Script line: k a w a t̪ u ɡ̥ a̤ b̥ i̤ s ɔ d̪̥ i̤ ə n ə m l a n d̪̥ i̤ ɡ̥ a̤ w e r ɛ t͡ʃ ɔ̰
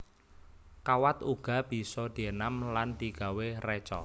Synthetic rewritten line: k a w a t̪ u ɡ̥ a̤ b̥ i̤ s ɔ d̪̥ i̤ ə n a m l a n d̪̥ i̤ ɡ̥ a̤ w e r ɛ t͡ʃ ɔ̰